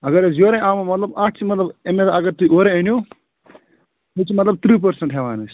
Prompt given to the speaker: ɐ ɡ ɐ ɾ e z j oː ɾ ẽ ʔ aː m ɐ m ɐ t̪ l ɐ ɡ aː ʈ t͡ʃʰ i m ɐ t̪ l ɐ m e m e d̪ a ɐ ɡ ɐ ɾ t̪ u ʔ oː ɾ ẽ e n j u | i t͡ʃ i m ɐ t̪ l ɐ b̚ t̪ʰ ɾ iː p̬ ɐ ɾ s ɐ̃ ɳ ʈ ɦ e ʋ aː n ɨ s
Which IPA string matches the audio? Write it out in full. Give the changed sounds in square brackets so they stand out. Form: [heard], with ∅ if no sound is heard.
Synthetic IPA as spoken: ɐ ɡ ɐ ɾ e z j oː ɾ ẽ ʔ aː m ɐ m ɐ t̪ l ɐ [b] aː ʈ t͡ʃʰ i m ɐ t̪ l ɐ [b] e m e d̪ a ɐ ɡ ɐ ɾ t̪ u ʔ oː ɾ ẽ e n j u | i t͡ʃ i m ɐ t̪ l ɐ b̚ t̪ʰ ɾ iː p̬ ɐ ɾ s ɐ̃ ɳ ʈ ɦ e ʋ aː n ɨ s